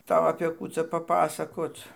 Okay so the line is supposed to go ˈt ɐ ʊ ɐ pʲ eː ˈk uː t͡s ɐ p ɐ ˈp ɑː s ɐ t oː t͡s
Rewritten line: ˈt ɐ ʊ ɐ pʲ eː ˈk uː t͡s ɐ p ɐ ˈp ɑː s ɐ k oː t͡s